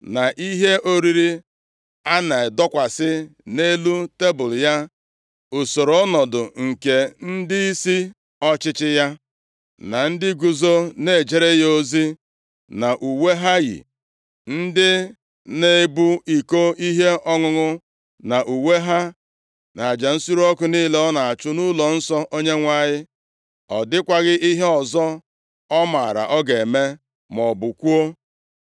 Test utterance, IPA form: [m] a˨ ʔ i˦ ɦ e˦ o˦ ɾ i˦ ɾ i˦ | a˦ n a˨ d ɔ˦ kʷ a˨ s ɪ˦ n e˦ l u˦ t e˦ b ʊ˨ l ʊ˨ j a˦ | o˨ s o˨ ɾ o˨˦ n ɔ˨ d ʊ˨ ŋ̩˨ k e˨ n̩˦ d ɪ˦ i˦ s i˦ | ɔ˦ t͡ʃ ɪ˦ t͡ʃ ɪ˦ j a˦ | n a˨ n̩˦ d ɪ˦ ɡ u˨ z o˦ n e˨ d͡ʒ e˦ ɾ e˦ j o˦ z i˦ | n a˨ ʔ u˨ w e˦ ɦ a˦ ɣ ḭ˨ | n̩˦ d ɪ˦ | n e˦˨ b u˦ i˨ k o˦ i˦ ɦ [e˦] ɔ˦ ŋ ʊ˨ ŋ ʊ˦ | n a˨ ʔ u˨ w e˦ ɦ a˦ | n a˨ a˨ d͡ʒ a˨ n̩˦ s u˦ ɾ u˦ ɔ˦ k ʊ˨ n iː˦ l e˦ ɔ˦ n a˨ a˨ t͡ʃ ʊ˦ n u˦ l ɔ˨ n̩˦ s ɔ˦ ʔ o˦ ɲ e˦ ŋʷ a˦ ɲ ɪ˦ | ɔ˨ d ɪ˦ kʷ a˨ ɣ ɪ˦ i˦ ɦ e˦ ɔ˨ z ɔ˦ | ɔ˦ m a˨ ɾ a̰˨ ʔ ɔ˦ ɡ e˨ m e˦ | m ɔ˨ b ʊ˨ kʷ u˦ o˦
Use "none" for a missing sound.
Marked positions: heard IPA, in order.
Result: n, e˦

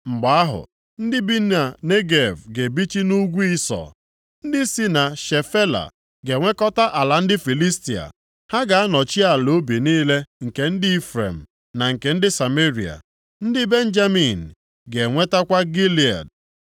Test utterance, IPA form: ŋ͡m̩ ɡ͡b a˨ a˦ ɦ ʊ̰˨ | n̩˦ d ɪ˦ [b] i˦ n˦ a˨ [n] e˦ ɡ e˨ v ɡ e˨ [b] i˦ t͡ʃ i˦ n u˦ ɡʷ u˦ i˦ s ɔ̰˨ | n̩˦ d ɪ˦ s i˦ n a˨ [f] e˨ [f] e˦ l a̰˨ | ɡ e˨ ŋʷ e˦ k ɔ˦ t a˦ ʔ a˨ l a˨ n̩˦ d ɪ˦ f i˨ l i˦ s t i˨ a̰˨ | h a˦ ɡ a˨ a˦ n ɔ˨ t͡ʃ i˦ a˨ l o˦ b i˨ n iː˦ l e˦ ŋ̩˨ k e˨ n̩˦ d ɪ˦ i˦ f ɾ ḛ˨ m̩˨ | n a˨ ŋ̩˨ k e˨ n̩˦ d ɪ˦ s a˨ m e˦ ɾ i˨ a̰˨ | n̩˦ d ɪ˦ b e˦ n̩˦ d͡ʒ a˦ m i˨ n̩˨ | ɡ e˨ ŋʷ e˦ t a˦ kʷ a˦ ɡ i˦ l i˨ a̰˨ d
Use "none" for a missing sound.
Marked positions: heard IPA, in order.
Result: b, n, b, ʃ, f

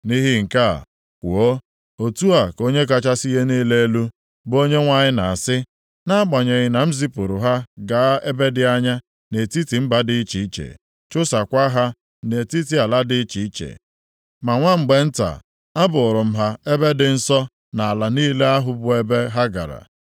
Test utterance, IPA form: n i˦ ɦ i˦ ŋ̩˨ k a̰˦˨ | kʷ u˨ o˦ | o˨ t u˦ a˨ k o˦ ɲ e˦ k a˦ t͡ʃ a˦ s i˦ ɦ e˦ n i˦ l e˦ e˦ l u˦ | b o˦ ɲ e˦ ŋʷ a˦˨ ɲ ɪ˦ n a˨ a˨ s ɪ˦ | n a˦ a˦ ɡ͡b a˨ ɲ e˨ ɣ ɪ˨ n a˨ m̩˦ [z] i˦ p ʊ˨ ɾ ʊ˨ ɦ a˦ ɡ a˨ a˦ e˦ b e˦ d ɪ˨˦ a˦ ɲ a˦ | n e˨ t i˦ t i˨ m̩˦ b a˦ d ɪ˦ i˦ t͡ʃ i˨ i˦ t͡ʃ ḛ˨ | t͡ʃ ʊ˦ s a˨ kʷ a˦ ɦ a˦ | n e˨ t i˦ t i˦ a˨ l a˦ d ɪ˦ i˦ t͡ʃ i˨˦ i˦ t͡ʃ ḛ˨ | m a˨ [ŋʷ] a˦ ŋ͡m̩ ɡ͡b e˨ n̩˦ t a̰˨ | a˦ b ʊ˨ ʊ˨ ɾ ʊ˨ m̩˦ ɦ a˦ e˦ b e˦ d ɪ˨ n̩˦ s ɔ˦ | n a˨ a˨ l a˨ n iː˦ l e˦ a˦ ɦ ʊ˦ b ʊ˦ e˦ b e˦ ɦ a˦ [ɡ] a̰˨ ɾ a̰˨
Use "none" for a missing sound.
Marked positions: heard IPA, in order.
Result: z, ŋʷ, ɡ

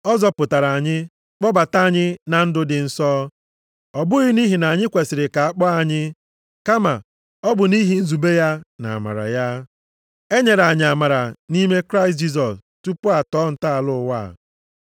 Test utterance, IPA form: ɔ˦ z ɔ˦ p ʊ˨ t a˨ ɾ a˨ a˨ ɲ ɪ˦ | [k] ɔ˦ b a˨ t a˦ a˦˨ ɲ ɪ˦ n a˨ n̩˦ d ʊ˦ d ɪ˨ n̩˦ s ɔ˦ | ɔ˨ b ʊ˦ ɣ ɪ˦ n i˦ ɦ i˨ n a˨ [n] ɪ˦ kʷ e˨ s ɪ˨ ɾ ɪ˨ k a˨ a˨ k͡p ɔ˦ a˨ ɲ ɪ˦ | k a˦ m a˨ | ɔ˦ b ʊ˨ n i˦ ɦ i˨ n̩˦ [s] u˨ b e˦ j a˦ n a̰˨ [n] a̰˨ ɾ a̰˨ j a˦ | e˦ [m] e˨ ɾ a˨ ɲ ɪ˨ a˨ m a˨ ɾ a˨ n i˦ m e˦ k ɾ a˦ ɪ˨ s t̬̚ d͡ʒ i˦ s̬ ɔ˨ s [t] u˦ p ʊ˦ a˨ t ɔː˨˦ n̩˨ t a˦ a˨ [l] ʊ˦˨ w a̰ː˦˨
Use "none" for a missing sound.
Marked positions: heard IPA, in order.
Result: k͡p, ɲ, z, m, ɲ, t, l

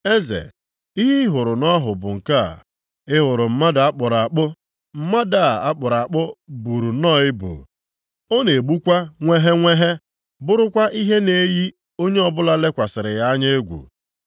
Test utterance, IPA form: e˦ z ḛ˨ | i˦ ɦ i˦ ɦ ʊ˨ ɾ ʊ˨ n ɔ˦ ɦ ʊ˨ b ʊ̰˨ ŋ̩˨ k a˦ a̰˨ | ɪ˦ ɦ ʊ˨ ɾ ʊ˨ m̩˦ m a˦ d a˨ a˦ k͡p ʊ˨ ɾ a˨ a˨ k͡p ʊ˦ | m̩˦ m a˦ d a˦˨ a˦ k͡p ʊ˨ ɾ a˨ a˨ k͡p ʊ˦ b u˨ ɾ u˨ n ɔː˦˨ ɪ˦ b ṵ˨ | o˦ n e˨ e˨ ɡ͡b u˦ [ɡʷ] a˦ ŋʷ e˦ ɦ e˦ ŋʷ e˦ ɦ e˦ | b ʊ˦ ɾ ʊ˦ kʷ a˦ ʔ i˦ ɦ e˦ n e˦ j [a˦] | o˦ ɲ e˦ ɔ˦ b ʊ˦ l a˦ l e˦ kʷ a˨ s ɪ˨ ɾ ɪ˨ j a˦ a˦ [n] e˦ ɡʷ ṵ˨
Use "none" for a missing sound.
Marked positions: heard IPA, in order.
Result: kʷ, i˦, ɲ

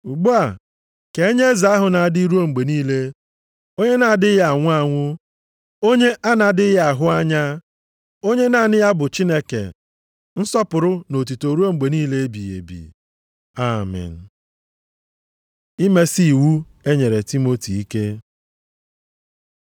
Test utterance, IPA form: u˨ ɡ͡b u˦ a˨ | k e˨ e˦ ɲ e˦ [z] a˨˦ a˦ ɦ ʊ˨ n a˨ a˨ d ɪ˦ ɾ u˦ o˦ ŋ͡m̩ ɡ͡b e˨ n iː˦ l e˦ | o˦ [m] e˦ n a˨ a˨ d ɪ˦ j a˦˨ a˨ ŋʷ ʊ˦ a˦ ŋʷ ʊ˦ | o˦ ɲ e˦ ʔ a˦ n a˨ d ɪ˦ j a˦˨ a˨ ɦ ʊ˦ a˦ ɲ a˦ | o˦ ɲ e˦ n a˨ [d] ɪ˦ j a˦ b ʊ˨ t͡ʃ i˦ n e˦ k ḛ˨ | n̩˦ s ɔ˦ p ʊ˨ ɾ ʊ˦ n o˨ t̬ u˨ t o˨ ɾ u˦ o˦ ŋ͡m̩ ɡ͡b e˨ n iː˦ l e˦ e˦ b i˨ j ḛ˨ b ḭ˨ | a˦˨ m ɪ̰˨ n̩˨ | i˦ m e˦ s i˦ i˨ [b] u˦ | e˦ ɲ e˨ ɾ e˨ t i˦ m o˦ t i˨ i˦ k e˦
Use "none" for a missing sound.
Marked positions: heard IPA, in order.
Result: z, ɲ, n, w

